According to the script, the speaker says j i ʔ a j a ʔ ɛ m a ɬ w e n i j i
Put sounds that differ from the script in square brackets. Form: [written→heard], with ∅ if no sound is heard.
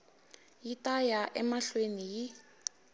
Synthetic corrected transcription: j i [ʔ→t] a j a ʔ ɛ m a ɬ w e n i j i